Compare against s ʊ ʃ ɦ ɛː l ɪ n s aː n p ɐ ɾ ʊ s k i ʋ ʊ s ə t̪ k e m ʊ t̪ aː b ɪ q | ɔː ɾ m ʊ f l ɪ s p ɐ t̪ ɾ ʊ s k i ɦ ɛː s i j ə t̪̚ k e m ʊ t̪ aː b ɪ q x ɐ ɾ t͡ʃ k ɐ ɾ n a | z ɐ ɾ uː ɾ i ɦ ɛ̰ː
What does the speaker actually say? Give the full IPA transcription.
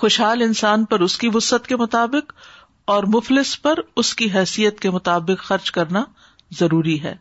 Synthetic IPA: x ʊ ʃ ɦ aː l ɪ n s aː n p ɐ ɾ ʊ s k i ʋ ʊ s ə t̪ k e m ʊ t̪ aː b ɪ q | ɔː ɾ m ʊ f l ɪ s p ɐ ɾ ʊ s k i ɦ ɛː s i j ə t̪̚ k e m ʊ t̪ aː b ɪ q x ɐ ɾ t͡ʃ k ɐ ɾ n a | z ɐ ɾ uː ɾ i ɦ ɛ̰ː